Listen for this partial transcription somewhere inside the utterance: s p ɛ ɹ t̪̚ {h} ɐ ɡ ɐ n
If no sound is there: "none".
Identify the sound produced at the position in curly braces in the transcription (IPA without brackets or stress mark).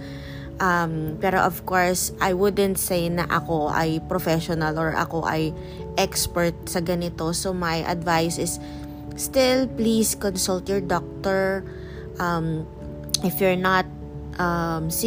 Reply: s